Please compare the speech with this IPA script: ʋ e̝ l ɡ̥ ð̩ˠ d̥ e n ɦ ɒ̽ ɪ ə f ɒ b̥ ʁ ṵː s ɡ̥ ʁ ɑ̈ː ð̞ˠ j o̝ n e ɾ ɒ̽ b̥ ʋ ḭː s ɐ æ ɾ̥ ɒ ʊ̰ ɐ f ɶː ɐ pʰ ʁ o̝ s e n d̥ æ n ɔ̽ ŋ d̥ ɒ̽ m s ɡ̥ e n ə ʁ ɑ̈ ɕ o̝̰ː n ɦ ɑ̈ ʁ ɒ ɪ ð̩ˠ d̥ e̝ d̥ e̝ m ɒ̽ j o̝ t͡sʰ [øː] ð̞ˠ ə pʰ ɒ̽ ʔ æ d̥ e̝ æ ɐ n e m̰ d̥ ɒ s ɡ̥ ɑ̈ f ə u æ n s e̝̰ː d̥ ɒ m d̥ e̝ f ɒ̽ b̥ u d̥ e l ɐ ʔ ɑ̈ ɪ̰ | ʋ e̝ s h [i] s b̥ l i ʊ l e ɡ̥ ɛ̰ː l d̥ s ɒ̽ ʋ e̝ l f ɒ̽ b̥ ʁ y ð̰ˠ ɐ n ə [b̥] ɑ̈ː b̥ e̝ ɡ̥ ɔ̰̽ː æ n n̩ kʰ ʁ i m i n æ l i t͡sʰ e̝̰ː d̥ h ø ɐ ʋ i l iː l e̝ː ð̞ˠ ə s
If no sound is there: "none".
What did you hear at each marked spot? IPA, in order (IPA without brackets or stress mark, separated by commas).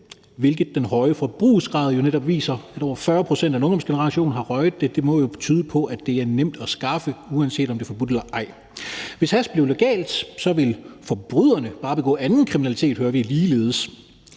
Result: yː, æ, b̥